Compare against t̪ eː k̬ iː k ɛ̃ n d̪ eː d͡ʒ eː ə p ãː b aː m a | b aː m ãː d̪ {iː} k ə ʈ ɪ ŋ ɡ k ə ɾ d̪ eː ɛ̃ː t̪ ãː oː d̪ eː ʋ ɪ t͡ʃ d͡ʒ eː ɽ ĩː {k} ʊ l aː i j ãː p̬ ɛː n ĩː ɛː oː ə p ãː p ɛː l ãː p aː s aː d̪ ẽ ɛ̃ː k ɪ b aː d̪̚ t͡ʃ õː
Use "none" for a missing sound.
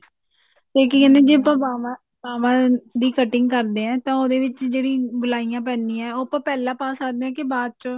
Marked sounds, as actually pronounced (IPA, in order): iː, ɡ

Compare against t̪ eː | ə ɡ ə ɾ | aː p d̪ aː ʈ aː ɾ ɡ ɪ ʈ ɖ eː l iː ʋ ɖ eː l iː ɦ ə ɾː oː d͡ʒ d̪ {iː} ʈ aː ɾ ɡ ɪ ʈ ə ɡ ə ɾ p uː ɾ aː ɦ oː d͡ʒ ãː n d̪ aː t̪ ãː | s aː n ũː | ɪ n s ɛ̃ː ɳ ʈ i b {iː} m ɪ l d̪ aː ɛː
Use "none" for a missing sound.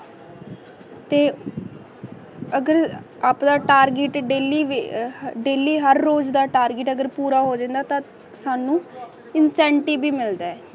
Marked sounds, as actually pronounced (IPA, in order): aː, iː

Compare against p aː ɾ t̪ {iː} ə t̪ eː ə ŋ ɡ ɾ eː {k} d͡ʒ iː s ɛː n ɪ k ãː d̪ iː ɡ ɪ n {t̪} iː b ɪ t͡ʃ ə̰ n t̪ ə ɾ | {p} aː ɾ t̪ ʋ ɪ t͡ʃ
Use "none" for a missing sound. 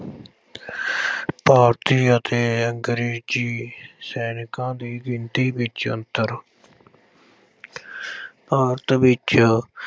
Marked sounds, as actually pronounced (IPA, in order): iː, none, t̪, p

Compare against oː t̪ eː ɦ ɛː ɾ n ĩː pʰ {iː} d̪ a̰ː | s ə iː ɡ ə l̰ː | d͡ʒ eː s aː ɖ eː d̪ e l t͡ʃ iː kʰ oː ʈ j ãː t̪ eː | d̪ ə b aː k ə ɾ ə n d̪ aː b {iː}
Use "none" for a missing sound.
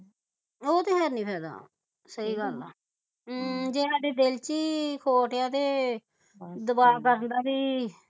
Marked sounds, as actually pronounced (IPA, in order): ɛː, iː

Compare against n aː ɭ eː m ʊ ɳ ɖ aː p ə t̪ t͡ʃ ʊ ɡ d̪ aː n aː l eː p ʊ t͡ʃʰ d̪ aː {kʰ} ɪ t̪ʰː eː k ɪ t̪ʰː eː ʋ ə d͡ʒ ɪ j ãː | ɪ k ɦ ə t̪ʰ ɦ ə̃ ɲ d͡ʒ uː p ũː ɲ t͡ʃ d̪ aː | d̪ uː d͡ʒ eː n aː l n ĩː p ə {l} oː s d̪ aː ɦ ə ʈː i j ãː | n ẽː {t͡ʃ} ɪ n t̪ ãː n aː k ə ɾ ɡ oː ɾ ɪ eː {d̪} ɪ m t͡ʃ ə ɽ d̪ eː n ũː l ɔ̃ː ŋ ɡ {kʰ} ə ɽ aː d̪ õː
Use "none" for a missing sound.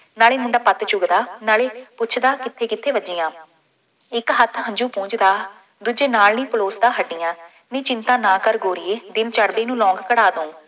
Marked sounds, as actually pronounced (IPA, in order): k, l, t͡ʃ, d̪, k

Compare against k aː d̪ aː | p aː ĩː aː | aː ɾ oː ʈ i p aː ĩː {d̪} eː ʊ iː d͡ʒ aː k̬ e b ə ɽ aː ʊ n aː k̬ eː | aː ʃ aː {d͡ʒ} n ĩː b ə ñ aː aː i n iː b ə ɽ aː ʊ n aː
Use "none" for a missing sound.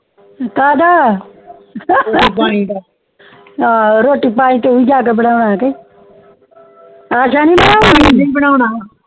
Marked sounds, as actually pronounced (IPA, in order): t̪, none

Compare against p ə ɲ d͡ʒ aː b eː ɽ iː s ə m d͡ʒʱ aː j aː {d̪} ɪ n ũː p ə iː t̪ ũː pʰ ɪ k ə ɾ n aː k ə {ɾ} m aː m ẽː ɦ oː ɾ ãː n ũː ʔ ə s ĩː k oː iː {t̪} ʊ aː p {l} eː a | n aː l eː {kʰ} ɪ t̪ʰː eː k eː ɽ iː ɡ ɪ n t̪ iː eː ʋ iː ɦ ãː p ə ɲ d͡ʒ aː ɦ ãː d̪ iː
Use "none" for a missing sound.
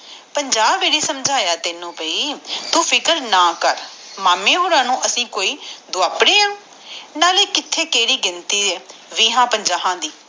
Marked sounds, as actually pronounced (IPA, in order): t̪, ɾ, d̪, ɽ, k

